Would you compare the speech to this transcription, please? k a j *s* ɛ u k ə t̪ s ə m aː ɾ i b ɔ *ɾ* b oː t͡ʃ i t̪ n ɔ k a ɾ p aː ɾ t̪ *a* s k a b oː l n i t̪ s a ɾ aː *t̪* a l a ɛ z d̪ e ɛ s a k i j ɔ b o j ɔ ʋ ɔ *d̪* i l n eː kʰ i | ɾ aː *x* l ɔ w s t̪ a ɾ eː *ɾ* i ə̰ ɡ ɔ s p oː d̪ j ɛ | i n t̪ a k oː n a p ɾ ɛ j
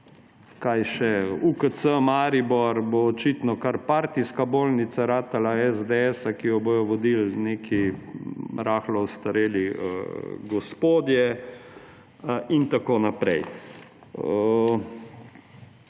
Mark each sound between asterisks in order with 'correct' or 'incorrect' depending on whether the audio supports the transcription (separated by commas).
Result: incorrect, correct, incorrect, correct, correct, correct, incorrect